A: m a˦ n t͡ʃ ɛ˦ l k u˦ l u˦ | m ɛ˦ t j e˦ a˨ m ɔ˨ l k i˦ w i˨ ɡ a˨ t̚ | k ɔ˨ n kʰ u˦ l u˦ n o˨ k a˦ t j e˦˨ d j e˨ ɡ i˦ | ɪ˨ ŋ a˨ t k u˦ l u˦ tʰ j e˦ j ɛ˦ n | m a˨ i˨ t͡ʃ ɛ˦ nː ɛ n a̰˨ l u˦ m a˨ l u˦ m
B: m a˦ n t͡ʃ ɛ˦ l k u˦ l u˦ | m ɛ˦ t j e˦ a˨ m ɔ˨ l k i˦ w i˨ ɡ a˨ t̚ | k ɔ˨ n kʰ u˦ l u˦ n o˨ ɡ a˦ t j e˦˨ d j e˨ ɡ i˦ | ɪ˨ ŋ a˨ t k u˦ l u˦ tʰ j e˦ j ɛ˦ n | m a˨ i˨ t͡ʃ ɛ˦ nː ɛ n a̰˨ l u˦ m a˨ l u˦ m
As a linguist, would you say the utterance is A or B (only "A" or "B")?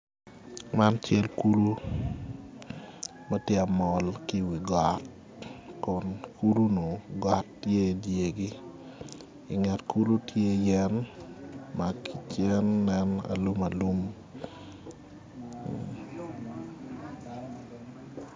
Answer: B